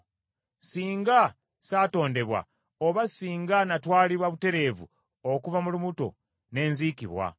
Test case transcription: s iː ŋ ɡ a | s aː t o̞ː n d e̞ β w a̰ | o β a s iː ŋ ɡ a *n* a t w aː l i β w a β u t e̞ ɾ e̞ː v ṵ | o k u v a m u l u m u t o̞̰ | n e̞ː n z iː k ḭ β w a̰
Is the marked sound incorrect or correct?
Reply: correct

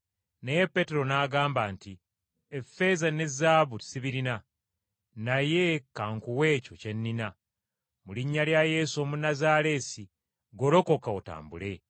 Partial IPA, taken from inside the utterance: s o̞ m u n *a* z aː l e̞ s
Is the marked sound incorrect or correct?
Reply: correct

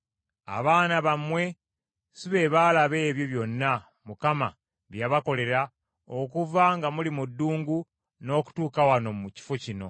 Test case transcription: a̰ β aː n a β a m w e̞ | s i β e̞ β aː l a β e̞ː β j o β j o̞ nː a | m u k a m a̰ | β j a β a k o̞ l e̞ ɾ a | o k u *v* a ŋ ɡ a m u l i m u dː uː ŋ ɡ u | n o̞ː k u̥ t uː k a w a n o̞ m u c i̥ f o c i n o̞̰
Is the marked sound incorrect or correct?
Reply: correct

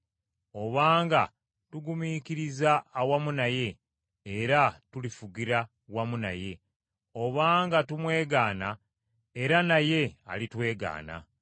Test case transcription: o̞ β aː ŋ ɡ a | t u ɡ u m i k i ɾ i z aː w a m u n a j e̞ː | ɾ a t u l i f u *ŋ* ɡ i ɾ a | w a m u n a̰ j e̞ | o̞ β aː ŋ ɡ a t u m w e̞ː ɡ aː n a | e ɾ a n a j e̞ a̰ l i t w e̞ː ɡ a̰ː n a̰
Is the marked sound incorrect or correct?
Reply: incorrect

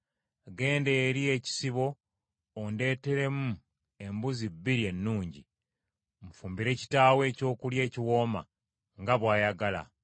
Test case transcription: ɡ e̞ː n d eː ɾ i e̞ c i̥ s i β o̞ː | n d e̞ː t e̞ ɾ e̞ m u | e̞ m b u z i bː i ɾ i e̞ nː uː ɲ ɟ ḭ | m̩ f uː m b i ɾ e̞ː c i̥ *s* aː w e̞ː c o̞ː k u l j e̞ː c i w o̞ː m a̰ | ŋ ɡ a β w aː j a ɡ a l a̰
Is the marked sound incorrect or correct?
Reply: incorrect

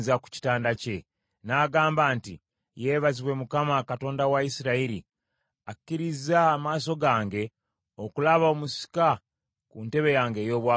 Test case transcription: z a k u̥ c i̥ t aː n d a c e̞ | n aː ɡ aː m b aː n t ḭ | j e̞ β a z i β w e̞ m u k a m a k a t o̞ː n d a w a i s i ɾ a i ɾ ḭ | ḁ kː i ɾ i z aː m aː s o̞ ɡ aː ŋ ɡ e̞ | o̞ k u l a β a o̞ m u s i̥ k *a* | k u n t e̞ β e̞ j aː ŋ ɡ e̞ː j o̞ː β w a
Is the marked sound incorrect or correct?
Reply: correct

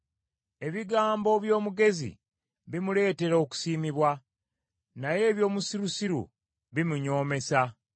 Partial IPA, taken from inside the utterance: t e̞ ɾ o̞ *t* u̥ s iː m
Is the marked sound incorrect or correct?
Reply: incorrect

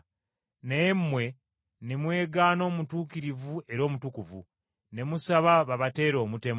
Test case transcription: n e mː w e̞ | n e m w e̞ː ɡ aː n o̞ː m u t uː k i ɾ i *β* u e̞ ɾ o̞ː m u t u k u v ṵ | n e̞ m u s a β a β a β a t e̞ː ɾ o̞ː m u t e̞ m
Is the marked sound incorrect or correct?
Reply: incorrect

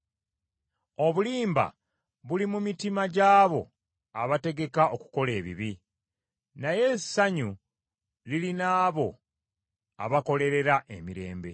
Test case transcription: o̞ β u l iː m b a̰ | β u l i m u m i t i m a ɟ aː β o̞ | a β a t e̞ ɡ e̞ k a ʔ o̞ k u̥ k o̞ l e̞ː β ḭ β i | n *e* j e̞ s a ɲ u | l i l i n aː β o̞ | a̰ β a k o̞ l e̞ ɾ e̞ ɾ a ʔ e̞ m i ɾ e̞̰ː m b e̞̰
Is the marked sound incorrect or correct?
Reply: incorrect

